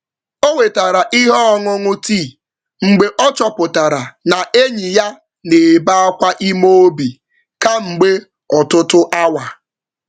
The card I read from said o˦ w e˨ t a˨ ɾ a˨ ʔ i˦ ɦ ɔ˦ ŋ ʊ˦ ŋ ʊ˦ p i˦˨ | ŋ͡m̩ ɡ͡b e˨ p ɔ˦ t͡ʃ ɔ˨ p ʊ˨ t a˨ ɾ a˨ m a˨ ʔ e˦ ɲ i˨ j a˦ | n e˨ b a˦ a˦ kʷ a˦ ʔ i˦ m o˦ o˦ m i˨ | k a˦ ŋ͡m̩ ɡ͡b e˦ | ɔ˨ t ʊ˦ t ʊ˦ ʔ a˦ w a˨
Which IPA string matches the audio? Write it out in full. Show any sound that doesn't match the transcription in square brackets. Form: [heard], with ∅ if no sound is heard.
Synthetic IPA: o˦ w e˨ t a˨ ɾ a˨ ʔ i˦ ɦ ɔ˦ ŋ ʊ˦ ŋ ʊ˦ [t] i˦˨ | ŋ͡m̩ ɡ͡b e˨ [ʔ] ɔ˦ t͡ʃ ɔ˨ p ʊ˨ t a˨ ɾ a˨ [n] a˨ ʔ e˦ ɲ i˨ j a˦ | n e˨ b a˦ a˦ kʷ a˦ ʔ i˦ m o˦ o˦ [b] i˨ | k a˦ ŋ͡m̩ ɡ͡b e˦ | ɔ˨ t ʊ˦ t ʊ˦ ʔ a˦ w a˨